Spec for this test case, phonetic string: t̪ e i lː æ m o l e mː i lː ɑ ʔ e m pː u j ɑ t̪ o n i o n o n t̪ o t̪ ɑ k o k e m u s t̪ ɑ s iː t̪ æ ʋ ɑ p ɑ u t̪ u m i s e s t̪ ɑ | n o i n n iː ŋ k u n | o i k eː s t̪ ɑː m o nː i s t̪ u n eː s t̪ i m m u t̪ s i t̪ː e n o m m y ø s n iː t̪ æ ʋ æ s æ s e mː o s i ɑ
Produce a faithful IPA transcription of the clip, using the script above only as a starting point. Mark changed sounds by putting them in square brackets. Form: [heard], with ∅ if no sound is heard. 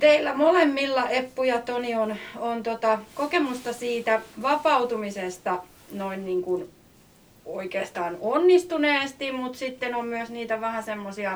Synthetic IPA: t̪ e i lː æ m o l e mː i lː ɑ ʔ e [∅] pː u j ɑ t̪ o n i o n o n t̪ o t̪ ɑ k o k e m u s t̪ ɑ s iː t̪ æ ʋ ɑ p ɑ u t̪ u m i s e s t̪ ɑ | n o i n n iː ŋ k u n | o i k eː s t̪ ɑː [n] o nː i s t̪ u n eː s t̪ i m m u t̪ s i t̪ː e n o m m y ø s n iː t̪ æ ʋ æ [h] æ s e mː o s i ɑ